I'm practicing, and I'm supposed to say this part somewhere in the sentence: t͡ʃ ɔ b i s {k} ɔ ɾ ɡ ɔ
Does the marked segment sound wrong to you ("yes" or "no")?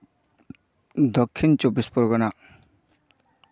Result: yes